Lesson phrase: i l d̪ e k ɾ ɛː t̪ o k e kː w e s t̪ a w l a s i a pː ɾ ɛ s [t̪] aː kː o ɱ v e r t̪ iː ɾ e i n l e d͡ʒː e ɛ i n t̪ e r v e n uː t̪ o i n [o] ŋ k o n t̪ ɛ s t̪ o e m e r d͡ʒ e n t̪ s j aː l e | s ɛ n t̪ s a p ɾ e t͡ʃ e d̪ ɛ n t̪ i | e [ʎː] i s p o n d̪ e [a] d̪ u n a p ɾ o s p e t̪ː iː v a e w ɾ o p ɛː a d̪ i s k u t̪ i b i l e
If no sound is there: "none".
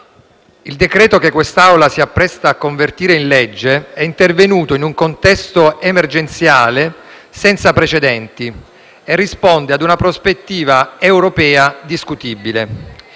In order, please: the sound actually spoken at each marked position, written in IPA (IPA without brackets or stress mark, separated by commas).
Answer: t̪, u, rː, a